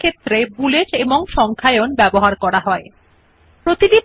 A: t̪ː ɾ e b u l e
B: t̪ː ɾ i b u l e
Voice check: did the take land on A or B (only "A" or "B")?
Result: A